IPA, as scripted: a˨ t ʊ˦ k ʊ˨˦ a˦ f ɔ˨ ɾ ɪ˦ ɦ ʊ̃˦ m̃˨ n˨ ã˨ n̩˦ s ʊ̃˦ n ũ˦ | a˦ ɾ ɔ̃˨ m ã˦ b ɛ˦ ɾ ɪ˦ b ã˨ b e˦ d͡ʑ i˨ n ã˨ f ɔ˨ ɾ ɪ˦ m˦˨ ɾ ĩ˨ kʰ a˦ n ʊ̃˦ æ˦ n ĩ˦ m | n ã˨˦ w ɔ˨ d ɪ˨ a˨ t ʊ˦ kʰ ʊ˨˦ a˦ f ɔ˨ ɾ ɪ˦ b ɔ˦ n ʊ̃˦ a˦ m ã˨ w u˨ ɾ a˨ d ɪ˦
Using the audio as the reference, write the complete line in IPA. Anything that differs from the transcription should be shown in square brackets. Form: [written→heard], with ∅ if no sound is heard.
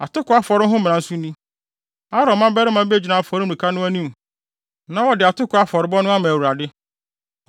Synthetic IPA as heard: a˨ t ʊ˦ k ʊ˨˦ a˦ f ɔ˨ ɾ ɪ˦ ɦ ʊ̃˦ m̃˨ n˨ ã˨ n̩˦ s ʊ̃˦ n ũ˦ | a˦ ɾ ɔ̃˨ m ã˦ b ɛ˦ ɾ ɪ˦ [b→m] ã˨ b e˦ d͡ʑ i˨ n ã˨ f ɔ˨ ɾ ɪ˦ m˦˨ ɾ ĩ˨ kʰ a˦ n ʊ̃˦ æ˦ n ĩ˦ m | n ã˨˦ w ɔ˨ d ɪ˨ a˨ t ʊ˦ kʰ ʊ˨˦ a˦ f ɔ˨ ɾ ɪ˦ b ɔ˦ n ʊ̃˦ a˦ m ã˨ w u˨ ɾ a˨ d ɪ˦